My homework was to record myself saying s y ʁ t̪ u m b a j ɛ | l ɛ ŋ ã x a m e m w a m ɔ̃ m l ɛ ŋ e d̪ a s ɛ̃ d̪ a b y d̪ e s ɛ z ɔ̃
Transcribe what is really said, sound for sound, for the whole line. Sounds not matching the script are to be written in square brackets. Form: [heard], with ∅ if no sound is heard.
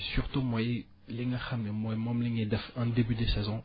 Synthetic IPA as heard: s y ʁ t̪ u m [w] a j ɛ | l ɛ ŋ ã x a m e m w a m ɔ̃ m l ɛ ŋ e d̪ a [f] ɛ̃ d̪ [e] b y d̪ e s ɛ z ɔ̃